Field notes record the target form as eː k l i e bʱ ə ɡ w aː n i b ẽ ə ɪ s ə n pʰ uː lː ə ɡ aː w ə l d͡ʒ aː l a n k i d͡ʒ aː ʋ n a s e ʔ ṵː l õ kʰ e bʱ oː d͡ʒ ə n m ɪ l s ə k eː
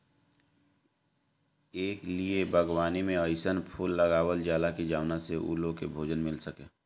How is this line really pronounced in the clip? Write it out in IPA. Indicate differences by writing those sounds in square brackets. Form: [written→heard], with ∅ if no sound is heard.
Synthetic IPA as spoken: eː k l i e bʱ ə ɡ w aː n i [b→m] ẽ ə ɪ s ə n pʰ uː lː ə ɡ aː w ə l d͡ʒ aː l a [n→∅] k i d͡ʒ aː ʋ n a s e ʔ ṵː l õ [kʰ→k] e bʱ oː d͡ʒ ə n m ɪ l s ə k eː